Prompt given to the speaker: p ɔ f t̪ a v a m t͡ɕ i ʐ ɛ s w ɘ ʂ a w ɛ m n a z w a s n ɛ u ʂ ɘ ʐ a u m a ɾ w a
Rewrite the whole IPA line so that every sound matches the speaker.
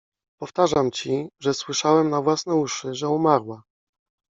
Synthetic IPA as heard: p ɔ f t̪ a ʐ a m t͡ɕ i ʐ ɛ s w ɘ ʂ a w ɛ m n a v w a s n ɛ u ʂ ɘ ʐ ɛ u m a ɾ w a

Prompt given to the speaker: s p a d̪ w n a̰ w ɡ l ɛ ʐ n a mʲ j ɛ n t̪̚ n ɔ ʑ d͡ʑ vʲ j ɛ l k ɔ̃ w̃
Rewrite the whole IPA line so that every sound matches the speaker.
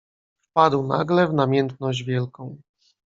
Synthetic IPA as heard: f p a d̪ w n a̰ ɡ l ɛ v n a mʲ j ɛ n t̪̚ n ɔ ʑ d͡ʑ vʲ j ɛ l k ɔ̃ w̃

